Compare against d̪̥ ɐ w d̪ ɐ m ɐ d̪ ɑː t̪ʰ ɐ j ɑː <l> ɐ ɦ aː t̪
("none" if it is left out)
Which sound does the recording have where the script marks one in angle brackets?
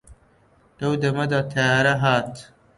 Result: ɾ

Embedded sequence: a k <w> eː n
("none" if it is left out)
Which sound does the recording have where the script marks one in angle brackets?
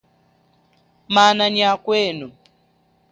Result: w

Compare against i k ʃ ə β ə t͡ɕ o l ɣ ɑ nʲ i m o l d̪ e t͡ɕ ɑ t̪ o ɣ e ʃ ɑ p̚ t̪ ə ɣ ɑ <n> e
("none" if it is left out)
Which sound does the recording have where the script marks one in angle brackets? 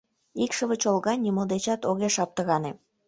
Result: n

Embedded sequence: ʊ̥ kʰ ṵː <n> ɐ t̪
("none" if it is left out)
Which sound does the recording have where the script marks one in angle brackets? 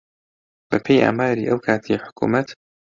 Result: m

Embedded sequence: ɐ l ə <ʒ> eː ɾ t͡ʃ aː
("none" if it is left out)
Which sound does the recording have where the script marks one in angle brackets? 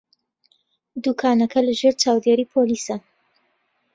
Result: ʒ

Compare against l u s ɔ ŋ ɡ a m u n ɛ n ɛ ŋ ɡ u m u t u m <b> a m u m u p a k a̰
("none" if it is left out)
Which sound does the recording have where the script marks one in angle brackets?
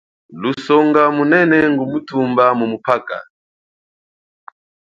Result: b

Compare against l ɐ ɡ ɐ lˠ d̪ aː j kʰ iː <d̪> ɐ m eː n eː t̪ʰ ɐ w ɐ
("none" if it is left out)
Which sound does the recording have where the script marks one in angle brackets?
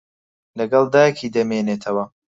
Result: d̪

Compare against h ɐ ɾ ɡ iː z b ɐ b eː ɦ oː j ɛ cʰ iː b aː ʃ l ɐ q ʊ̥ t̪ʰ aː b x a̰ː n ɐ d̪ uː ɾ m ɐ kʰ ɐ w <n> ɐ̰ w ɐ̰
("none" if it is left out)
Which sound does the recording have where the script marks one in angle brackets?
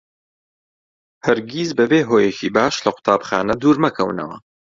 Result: n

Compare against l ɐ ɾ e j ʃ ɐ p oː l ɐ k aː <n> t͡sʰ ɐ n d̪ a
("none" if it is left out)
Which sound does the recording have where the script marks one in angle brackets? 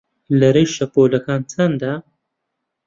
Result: n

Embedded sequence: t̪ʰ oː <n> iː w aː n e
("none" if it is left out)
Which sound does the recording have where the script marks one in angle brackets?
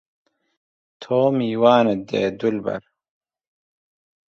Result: m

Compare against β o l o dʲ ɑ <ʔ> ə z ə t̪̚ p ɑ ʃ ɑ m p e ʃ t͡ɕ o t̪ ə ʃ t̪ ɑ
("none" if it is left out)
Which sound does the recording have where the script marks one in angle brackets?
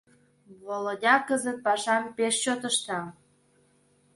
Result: k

